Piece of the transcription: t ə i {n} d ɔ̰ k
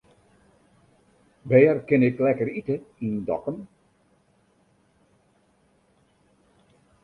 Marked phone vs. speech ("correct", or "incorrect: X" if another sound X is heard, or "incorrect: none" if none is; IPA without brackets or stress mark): correct